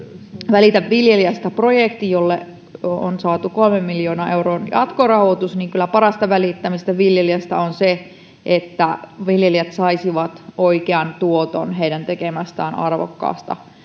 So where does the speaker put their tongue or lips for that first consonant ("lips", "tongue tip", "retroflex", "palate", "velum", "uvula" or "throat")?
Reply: lips